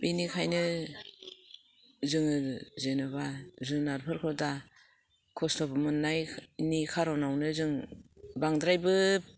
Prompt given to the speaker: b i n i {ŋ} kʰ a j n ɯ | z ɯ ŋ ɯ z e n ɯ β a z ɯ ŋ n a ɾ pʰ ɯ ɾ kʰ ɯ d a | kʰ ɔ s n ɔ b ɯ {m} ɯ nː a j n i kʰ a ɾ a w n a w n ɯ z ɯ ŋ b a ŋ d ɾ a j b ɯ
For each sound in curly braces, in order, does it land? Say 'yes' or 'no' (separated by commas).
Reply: no, yes